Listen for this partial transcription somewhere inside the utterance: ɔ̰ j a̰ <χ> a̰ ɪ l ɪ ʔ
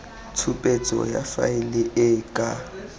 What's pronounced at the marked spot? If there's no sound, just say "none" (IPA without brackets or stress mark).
f